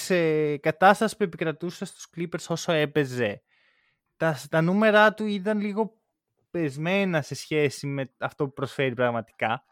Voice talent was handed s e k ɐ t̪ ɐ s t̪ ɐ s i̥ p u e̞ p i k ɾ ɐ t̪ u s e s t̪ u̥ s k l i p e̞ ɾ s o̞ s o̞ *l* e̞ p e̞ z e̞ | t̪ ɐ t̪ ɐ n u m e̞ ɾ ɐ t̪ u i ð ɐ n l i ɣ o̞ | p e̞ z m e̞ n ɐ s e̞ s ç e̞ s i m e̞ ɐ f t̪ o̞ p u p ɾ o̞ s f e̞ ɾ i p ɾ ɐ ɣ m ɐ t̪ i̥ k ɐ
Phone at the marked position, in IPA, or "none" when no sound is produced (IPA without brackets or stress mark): none